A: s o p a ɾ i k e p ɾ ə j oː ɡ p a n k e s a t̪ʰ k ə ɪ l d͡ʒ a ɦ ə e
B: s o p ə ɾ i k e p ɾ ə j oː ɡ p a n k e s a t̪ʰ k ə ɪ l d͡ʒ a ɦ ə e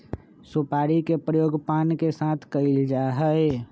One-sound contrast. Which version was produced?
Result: A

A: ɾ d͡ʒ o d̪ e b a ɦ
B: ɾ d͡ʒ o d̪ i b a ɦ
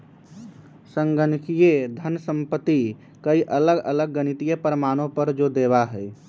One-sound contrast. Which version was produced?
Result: A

